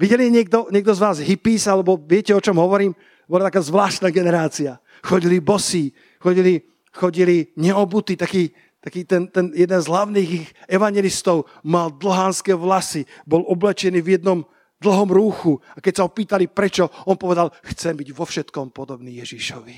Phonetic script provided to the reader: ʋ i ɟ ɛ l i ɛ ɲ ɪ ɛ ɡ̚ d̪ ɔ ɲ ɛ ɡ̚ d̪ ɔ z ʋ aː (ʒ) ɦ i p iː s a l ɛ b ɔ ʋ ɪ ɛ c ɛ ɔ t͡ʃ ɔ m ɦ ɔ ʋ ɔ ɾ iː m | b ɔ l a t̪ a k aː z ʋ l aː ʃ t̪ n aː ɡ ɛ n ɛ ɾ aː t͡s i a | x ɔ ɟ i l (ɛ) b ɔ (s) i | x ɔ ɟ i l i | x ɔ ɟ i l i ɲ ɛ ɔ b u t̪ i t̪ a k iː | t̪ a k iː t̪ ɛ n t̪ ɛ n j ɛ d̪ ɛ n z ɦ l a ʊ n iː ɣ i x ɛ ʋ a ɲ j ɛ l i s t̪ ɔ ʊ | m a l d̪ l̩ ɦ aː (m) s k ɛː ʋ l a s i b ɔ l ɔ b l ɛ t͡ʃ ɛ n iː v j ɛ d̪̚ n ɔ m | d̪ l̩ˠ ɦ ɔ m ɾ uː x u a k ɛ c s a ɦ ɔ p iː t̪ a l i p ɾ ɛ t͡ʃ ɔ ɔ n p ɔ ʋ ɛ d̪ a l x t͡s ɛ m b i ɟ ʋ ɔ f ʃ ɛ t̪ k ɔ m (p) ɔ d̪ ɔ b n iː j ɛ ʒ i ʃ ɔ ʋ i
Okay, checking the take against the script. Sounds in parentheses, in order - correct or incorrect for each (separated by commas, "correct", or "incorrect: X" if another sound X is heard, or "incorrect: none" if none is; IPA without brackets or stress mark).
incorrect: z, incorrect: i, correct, incorrect: n, correct